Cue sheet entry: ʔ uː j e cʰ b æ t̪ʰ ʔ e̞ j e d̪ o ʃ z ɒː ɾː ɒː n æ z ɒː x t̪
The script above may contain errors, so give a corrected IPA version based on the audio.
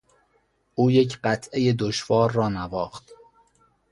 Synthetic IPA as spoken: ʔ uː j e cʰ ɢ æ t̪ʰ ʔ e̞ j e d̪ o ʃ v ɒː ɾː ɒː n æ v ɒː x t̪